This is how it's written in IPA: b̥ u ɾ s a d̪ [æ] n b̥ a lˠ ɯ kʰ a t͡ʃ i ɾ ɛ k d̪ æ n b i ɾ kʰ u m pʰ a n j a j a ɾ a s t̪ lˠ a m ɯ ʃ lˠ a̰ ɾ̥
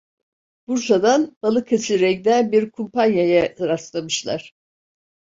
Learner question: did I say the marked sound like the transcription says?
no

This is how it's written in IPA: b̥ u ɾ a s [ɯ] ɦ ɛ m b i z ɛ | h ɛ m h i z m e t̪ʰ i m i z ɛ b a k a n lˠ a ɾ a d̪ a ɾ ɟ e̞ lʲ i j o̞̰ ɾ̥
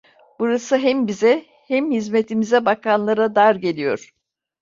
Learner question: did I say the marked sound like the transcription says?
yes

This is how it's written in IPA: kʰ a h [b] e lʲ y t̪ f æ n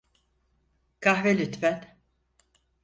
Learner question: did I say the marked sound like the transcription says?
no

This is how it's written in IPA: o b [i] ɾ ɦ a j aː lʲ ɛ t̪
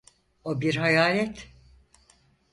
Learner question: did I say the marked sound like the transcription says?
yes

